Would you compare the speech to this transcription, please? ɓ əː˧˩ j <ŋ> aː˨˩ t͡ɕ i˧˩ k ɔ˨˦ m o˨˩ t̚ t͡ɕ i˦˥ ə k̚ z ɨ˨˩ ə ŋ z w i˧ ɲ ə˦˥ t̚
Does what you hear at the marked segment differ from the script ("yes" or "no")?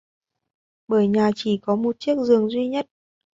yes